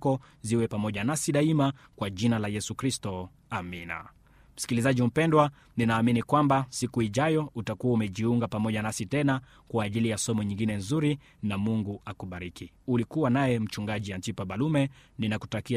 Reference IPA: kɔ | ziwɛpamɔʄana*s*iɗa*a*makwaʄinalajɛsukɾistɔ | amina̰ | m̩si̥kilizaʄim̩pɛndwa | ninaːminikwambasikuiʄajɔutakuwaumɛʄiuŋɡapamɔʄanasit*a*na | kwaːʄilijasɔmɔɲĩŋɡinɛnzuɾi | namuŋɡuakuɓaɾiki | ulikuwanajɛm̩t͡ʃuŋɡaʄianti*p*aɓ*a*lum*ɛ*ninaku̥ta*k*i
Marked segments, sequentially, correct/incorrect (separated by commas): correct, incorrect, incorrect, correct, correct, correct, correct